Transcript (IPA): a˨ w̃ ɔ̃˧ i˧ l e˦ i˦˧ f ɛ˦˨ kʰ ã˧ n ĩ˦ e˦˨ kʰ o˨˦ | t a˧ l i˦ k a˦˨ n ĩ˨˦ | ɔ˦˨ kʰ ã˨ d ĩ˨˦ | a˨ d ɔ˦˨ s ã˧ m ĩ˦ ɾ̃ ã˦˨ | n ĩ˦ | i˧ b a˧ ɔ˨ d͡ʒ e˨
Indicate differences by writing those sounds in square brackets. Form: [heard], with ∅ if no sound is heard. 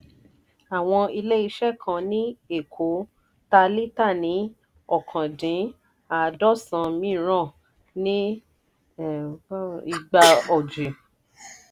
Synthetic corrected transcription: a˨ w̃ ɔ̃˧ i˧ l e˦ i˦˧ [ʃ] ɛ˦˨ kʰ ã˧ n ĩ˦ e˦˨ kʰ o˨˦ | t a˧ l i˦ [t] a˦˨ n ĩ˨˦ | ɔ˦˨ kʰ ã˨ d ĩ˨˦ | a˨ d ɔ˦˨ s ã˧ m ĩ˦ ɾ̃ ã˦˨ | n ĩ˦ | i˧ [ɡ͡b] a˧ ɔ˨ d͡ʒ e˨

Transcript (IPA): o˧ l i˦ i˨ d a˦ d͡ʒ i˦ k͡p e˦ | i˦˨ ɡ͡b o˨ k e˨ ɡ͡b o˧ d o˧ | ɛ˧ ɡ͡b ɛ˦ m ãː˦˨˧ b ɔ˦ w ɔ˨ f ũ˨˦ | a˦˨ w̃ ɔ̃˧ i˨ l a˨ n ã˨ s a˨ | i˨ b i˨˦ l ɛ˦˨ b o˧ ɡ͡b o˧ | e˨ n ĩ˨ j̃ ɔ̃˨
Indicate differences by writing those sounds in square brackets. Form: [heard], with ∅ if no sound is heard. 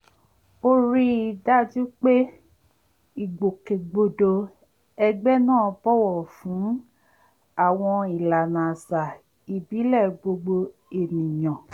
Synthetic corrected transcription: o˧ [ɾ] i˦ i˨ d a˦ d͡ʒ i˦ k͡p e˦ | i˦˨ ɡ͡b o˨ k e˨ ɡ͡b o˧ d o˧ | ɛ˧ ɡ͡b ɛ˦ [n] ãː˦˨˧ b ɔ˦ w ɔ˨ f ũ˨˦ | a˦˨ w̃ ɔ̃˧ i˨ l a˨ n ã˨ s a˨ | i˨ b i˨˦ l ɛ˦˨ [ɡ͡b] o˧ ɡ͡b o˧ | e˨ n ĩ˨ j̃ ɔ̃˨

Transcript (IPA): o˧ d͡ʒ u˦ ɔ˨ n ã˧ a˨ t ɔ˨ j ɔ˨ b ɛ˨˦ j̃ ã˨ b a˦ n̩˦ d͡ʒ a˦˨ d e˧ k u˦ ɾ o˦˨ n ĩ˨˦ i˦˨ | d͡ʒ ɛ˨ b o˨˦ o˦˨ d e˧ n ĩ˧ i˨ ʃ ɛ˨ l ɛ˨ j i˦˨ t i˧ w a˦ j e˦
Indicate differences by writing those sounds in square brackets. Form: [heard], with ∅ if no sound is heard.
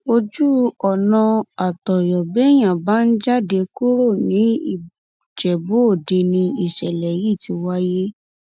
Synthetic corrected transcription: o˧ d͡ʒ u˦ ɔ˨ n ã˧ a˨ t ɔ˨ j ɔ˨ b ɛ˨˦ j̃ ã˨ b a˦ n̩˦ d͡ʒ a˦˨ d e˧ k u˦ ɾ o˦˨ n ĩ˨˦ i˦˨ | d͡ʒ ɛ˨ b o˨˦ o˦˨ d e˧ n ĩ˧ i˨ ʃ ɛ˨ l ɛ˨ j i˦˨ t i˧ w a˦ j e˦

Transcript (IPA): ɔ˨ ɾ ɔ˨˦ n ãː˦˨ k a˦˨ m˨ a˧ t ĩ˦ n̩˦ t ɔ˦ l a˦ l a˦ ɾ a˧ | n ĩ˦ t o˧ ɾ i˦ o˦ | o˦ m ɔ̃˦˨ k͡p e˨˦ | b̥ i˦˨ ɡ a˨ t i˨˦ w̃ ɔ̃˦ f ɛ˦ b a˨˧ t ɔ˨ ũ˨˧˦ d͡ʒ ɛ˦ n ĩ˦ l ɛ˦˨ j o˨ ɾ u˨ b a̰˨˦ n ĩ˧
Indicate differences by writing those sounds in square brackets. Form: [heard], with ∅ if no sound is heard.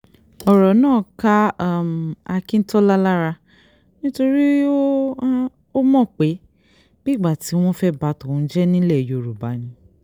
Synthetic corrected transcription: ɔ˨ ɾ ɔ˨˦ n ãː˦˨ k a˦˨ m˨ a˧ [k] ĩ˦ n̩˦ t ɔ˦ l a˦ l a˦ ɾ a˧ | n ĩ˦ t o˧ ɾ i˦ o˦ | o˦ m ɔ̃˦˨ k͡p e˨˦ | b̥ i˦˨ [ɡ͡b] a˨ t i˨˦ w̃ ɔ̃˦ f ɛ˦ b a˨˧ t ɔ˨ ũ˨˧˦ d͡ʒ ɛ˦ n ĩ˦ l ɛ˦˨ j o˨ ɾ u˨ b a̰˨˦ n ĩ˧

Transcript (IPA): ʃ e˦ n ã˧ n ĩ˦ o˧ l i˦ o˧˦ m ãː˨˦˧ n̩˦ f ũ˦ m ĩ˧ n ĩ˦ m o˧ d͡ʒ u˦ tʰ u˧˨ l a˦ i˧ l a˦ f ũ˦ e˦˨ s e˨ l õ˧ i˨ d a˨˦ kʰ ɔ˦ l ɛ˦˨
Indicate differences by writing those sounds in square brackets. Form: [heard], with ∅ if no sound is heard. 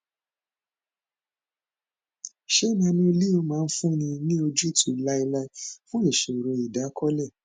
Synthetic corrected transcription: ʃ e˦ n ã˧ n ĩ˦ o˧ l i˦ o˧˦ m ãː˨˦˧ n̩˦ f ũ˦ [n] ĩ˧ n ĩ˦ [∅] o˧ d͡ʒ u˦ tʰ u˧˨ l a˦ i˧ l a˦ f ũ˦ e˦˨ [ʃ] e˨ [ɾ] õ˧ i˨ d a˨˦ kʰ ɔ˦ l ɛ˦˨

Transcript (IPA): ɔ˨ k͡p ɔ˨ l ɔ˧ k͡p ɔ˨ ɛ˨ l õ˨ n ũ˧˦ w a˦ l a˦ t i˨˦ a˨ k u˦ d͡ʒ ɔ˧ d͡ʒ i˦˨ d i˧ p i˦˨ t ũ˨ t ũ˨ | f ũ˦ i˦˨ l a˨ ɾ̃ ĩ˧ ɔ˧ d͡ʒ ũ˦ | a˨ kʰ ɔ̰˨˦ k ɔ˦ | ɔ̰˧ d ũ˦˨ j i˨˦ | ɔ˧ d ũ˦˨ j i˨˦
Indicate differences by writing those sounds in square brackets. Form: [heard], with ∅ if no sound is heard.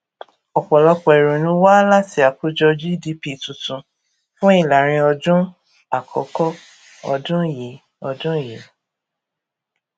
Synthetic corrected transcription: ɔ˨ k͡p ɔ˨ l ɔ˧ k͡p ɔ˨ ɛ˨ [ɾ] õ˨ n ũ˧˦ w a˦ l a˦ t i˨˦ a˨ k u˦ d͡ʒ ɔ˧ d͡ʒ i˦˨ d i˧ p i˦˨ t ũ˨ t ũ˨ | f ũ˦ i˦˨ l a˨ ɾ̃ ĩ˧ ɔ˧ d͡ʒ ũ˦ | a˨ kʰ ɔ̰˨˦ k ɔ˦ | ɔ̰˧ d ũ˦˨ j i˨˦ | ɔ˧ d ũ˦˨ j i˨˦

